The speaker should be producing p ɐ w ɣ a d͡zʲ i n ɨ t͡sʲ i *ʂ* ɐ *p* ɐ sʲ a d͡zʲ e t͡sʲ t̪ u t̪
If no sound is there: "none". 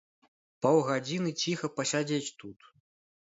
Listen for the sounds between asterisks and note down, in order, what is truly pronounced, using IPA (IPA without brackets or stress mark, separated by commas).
x, p